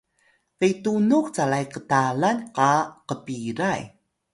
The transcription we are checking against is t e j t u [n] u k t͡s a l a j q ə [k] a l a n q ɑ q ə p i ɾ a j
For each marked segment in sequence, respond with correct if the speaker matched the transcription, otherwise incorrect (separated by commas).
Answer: correct, incorrect